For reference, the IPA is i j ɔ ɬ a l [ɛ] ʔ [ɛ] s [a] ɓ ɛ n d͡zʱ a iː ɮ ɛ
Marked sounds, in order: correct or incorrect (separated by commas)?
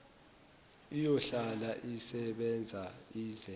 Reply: incorrect, incorrect, incorrect